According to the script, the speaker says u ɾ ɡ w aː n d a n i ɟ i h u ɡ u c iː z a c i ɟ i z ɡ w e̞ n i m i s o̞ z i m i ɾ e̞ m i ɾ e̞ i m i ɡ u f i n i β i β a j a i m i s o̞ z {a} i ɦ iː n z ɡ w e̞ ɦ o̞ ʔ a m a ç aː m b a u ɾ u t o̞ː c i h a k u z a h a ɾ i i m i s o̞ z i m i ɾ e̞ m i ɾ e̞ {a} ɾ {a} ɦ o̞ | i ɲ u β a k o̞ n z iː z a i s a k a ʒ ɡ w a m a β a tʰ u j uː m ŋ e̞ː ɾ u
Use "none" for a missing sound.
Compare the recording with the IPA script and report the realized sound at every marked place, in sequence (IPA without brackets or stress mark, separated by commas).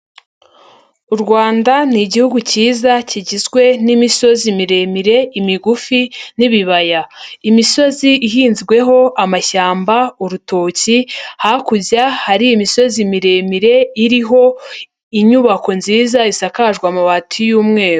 i, i, i